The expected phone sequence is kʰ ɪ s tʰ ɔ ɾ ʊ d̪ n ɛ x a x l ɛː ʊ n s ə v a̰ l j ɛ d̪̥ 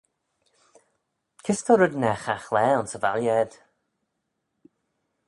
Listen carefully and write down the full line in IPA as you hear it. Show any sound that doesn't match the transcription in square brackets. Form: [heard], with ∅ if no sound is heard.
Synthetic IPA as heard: kʰ ɪ s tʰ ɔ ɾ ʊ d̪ n ɛ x a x l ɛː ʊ n s ə v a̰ l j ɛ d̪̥